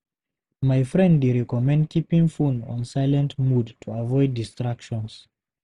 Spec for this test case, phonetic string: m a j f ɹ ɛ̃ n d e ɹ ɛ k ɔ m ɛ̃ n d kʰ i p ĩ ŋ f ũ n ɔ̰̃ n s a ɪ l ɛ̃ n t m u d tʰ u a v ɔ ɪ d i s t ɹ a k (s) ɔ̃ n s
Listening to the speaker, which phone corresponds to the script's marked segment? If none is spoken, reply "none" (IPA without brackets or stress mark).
ʃ